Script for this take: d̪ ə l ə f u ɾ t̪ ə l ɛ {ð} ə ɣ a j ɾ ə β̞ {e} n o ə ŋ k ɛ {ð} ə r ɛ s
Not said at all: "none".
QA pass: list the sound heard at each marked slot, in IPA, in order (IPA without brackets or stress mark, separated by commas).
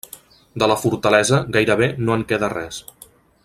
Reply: z, e, ð